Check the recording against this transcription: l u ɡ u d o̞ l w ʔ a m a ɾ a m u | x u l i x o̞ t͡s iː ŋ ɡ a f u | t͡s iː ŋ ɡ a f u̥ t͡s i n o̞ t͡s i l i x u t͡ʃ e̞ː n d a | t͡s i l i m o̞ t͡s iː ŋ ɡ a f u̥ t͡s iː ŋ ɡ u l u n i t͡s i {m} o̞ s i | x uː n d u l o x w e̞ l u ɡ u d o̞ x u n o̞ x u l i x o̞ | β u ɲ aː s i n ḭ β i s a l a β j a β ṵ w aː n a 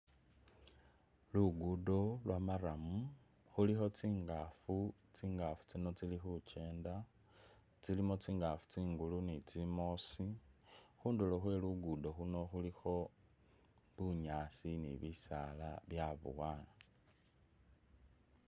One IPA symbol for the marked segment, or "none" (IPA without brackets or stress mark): m